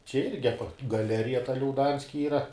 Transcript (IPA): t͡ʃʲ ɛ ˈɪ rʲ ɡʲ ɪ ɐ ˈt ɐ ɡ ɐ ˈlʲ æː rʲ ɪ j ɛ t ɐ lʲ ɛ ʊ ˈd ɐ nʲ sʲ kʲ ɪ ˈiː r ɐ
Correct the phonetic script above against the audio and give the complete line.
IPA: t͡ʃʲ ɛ ˈɪ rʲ ɡʲ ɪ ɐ ˈp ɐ ɡ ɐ ˈlʲ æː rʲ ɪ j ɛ t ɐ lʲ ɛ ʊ ˈd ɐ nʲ sʲ kʲ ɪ ˈiː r ɐ